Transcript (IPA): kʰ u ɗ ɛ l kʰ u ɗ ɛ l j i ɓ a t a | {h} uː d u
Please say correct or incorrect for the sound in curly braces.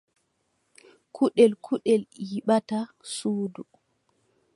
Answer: incorrect: s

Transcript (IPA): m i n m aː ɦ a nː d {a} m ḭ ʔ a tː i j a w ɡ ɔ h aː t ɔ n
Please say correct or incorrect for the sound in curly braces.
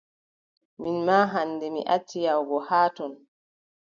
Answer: incorrect: ɛ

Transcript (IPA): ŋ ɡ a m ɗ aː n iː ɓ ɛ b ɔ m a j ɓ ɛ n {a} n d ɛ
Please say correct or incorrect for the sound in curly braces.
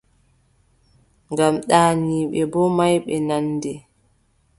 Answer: correct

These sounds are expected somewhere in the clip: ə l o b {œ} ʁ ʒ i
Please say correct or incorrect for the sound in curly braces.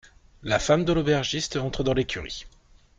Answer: incorrect: ɛ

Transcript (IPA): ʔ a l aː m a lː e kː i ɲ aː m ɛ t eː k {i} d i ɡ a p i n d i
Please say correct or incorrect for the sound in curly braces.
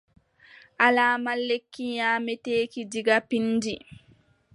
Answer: correct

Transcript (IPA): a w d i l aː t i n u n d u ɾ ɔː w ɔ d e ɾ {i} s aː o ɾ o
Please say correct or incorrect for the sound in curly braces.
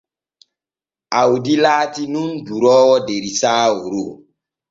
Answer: correct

